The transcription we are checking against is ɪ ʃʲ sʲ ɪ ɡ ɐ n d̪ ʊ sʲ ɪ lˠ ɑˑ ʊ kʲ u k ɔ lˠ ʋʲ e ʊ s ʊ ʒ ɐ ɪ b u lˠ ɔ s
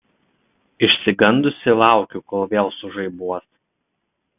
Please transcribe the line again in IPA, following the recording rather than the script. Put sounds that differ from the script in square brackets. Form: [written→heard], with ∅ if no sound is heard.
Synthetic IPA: ɪ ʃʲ sʲ ɪ ɡ ɐ n d̪ ʊ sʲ ɪ lˠ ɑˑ ʊ kʲ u k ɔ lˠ ʋʲ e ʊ s ʊ ʒ ɐ ɪ b u [lˠ→∅] ɔ s